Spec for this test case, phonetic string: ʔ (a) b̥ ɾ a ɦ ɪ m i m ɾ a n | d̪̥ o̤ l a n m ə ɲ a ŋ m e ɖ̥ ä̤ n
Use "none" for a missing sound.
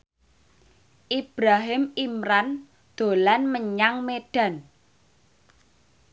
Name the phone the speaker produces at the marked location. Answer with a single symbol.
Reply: i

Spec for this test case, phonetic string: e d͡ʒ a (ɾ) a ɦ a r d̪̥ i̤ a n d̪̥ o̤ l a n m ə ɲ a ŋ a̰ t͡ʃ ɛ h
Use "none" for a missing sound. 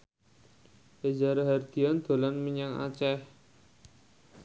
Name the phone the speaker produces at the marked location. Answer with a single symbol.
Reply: ɾ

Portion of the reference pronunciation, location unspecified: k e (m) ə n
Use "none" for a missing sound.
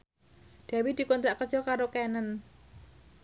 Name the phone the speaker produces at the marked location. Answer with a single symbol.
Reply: n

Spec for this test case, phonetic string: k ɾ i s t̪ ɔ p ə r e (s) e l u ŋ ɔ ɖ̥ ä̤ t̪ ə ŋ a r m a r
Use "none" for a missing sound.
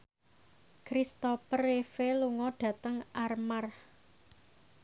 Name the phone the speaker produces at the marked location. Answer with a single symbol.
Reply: f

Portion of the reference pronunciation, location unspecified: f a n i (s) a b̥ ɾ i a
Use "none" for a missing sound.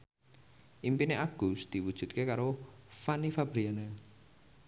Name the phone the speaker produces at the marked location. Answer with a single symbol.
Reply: f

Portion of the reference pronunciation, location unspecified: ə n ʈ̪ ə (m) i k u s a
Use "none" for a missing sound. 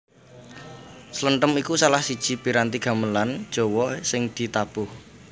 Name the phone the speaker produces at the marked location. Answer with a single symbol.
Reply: m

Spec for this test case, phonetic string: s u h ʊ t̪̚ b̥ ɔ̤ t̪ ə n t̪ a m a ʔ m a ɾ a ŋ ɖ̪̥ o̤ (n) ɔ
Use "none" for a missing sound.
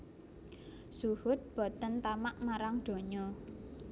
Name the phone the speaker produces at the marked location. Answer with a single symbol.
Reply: ɲ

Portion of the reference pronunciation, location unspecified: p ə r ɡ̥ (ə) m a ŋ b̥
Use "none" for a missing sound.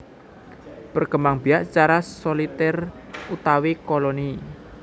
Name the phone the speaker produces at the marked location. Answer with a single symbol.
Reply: ə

